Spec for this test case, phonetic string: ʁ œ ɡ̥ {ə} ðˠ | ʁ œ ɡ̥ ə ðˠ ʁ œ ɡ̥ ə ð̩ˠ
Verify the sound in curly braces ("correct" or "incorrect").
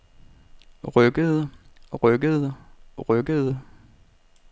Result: correct